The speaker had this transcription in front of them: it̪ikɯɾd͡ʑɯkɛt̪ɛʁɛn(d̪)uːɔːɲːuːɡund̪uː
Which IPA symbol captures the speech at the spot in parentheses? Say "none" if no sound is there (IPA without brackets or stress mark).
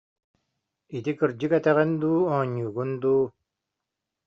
d̪